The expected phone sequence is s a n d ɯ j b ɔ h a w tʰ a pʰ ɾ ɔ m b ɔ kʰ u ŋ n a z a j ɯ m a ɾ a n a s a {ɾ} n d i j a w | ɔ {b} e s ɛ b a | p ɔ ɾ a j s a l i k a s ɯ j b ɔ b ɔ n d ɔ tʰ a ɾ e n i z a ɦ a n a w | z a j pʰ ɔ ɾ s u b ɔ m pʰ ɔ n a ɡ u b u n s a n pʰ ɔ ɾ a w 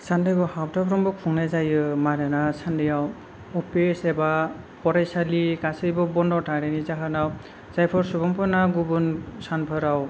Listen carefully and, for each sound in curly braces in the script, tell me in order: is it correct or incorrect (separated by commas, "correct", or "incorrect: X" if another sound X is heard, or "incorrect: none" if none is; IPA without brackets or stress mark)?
incorrect: none, incorrect: p